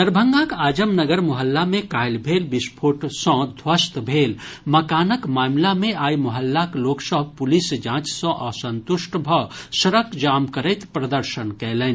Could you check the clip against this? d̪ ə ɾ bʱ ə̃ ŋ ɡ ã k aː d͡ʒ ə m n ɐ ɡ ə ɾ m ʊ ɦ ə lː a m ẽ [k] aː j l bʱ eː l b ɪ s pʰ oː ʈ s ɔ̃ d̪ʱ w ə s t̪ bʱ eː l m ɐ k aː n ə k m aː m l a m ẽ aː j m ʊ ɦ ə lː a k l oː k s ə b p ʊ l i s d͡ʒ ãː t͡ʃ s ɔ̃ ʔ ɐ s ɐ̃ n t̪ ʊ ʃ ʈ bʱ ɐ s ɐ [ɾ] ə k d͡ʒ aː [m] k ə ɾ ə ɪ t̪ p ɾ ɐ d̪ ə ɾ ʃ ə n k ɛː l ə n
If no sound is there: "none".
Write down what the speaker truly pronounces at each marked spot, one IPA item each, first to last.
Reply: k, ɾ, m

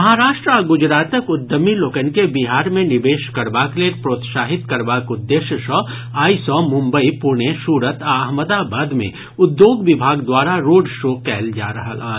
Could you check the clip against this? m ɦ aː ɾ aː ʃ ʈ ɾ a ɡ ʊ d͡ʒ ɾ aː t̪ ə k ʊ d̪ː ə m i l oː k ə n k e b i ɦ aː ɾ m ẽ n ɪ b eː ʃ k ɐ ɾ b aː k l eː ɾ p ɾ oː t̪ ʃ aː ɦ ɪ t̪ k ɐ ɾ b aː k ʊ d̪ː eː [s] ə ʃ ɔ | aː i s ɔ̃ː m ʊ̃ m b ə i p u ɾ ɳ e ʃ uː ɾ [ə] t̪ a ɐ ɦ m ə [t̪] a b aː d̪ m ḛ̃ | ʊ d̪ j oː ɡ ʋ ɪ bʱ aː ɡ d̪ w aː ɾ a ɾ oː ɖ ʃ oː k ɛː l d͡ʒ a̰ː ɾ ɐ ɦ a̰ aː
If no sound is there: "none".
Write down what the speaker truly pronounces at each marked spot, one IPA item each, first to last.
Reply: ʃ, ə, d̪

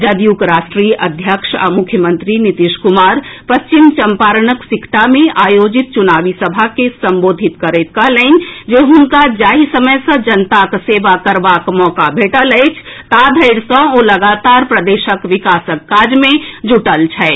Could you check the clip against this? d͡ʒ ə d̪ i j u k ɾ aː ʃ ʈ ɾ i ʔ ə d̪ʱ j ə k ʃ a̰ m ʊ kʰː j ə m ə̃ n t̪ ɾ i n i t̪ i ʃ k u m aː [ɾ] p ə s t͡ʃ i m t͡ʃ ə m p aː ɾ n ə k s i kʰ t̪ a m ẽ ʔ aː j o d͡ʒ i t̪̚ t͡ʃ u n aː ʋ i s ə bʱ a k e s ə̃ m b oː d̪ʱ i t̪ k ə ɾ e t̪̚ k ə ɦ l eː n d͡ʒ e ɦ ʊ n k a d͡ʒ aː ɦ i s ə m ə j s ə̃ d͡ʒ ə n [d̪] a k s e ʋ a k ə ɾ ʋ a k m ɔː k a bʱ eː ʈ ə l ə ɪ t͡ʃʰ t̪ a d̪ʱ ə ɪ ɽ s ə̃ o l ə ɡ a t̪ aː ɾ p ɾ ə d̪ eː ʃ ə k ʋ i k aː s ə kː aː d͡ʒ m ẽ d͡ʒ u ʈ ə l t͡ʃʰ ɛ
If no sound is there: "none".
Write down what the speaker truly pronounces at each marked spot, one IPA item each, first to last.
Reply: ɾ, t̪

